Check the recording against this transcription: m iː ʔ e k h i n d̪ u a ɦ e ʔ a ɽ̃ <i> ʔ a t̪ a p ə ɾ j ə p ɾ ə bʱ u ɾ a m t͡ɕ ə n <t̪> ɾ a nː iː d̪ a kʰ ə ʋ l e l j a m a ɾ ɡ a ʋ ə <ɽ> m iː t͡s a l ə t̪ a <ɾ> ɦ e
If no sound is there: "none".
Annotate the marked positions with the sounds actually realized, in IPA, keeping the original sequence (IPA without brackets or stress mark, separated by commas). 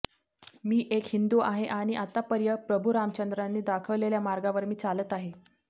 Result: i, d̪, ɾ, none